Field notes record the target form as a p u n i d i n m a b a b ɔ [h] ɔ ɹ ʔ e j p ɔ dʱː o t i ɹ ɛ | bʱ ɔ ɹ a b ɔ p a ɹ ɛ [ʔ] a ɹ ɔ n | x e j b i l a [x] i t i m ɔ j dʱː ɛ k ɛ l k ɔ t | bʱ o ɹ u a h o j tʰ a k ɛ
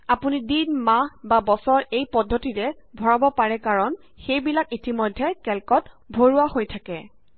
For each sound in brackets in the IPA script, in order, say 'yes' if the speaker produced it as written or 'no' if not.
no, no, no

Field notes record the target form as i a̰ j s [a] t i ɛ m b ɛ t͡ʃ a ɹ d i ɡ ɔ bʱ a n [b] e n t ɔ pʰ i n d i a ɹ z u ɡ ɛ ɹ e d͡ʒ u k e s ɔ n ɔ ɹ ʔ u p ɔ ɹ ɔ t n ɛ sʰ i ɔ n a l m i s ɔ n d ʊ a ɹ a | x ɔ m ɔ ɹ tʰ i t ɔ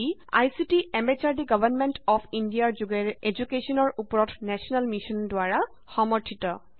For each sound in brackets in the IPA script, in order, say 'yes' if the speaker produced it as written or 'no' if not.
no, no

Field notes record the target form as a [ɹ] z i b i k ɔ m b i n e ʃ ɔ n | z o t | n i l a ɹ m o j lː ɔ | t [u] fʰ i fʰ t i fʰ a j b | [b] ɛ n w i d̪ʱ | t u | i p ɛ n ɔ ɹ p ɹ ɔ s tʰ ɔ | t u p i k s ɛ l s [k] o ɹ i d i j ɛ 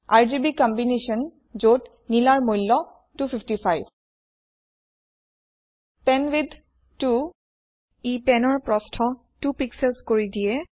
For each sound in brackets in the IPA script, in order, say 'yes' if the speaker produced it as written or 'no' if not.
yes, yes, no, yes

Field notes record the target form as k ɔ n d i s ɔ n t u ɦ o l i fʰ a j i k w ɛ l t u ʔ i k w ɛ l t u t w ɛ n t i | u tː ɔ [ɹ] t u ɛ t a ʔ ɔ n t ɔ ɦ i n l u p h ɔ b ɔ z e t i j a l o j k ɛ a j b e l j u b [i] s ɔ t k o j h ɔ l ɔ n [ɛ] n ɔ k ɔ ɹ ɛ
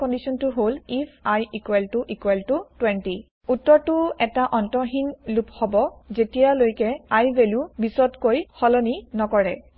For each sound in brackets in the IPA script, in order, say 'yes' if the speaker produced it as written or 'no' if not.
yes, yes, no

